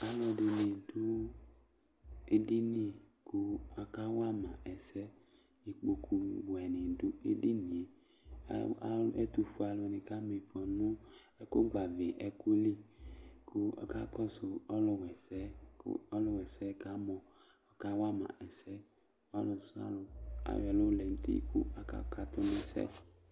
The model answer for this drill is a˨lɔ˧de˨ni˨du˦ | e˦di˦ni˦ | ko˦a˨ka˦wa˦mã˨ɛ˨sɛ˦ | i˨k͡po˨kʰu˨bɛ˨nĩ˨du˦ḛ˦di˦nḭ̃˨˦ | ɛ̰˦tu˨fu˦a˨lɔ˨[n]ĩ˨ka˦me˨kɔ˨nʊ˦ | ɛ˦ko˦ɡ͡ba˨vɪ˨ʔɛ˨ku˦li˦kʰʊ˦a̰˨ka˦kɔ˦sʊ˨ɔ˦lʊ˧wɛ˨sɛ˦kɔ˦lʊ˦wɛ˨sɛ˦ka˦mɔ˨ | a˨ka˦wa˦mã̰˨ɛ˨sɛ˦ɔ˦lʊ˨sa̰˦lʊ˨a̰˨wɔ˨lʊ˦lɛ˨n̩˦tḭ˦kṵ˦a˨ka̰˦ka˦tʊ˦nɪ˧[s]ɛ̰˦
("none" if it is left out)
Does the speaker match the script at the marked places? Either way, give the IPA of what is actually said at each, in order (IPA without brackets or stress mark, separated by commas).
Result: n, s